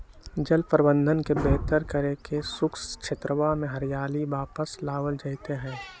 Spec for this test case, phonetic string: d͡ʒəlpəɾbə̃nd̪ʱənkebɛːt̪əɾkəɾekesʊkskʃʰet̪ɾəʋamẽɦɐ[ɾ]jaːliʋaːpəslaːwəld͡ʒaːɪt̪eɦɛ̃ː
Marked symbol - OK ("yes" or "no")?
yes